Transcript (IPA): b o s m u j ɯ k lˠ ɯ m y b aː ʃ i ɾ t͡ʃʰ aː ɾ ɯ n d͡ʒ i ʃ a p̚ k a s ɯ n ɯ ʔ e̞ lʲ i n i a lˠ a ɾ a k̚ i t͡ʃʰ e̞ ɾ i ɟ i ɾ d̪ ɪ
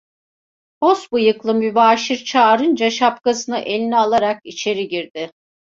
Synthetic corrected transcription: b o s b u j ɯ k lˠ ɯ m y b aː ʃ i ɾ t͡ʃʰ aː ɾ ɯ n d͡ʒ a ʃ a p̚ k a s ɯ n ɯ ʔ e̞ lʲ i n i a lˠ a ɾ a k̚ i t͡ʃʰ e̞ ɾ i ɟ i ɾ d̪ ɪ